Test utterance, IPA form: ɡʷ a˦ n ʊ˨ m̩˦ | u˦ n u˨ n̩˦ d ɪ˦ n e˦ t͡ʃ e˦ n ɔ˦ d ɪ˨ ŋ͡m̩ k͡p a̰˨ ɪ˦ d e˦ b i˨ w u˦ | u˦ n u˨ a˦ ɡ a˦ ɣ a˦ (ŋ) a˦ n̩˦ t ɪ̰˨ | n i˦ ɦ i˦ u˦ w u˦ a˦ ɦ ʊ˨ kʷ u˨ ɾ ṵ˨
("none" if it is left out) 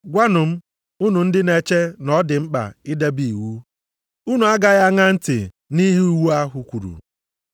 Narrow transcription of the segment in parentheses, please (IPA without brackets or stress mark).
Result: ŋ